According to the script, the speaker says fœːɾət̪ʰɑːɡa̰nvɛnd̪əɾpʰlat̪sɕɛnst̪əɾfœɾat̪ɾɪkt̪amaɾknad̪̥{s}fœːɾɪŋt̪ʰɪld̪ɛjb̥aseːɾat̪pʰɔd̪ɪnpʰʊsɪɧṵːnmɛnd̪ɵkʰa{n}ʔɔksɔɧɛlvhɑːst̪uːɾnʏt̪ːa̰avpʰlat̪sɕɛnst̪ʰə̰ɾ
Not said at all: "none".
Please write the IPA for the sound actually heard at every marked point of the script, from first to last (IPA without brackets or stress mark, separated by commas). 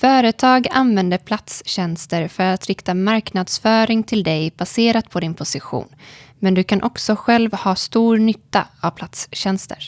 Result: s, n